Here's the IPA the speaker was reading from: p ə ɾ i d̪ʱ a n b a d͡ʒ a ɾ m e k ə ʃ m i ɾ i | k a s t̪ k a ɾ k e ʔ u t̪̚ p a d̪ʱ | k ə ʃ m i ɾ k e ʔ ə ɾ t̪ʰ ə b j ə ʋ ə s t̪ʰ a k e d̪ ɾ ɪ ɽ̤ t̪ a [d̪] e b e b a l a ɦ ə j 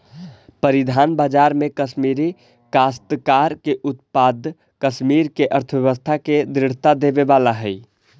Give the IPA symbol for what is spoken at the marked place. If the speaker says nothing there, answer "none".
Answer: d̪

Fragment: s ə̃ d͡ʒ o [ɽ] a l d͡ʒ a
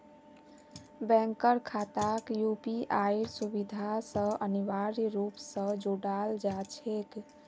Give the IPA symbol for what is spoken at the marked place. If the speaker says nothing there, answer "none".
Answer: ɽ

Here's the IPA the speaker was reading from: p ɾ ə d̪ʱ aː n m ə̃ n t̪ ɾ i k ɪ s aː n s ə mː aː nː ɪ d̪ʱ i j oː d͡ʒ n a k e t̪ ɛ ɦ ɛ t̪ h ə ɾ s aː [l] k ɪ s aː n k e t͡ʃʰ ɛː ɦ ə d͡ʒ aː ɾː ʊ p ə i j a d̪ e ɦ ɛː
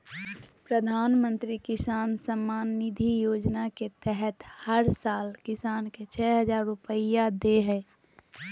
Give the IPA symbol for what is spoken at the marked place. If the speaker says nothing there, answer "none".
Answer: l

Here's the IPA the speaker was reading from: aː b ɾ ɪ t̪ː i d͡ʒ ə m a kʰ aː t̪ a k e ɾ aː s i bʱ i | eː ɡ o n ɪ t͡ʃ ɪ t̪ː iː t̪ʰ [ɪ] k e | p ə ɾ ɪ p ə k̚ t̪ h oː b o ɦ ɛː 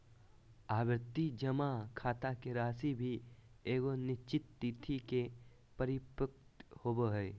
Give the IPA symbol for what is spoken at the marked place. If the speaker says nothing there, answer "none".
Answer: i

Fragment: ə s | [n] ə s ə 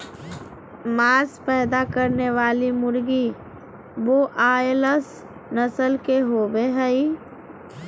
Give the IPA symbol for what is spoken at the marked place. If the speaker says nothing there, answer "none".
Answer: n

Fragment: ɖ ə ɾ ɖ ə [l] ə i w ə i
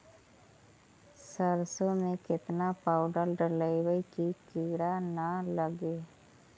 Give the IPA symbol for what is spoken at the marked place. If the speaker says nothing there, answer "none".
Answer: l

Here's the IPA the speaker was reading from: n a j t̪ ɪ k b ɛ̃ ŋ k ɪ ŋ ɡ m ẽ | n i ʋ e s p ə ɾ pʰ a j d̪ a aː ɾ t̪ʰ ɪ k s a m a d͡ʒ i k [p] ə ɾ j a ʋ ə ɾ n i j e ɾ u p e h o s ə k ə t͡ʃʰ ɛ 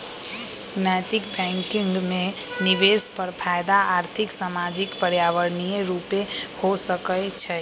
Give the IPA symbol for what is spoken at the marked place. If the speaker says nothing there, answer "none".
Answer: p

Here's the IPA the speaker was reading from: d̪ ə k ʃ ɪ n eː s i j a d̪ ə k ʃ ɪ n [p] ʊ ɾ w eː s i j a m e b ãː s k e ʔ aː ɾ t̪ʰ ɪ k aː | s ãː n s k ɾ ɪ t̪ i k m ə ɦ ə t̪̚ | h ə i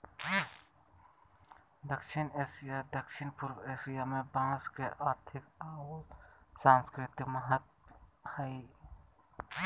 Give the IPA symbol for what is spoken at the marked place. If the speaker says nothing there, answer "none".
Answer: p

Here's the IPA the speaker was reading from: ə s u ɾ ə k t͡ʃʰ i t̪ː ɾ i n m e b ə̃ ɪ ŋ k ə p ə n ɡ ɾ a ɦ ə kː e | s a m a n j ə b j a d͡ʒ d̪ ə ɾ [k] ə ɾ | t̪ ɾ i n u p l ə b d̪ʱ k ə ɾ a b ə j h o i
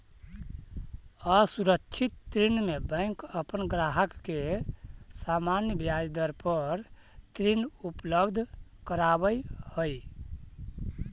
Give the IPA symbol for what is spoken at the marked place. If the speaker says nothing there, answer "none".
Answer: p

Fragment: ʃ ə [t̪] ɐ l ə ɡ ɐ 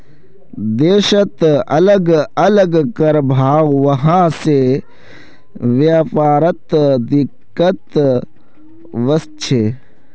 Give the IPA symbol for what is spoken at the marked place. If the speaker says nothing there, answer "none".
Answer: t̪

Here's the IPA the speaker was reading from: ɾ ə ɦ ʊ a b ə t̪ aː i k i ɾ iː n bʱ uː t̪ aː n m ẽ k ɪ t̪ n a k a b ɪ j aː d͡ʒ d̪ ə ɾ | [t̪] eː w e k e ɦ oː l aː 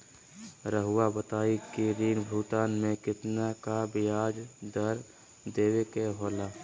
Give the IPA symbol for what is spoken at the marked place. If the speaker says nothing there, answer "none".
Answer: d̪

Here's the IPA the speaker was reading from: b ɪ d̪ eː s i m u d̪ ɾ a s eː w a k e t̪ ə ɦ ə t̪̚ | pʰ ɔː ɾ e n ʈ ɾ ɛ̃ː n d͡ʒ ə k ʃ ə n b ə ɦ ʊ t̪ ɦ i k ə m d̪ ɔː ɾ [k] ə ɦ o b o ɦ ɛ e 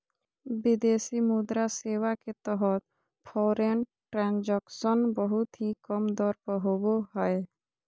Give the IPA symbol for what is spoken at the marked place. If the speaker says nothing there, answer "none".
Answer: p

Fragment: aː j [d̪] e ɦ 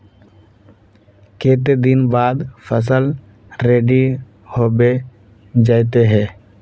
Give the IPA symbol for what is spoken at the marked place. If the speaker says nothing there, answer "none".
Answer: t̪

